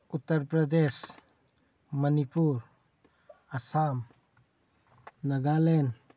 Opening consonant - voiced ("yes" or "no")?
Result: no